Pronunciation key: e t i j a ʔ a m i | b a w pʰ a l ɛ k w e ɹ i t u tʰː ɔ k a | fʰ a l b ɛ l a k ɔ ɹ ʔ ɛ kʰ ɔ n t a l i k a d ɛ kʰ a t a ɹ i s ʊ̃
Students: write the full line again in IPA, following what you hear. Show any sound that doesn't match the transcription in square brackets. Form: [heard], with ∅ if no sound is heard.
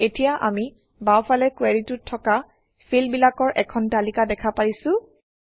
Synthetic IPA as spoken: e t i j a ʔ a m i | b a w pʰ a l ɛ k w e ɹ i t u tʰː ɔ k a | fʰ [i] l b [i] l a k ɔ ɹ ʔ ɛ kʰ ɔ n t a l i k a d ɛ kʰ a [p] a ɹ i s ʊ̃